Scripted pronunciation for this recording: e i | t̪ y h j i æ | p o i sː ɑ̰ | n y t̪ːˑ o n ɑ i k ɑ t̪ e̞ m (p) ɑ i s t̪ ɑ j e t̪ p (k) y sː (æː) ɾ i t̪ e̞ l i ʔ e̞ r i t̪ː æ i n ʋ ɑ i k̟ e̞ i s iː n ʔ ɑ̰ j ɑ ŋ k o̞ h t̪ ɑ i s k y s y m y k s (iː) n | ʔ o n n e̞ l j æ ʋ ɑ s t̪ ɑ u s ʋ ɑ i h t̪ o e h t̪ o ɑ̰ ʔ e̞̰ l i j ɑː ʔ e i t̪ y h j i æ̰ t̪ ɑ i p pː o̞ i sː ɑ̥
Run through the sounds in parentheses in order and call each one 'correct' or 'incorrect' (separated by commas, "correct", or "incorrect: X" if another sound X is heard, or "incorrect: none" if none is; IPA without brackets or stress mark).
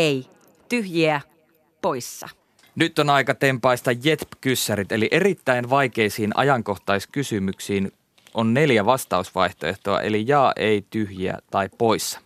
correct, correct, incorrect: æ, correct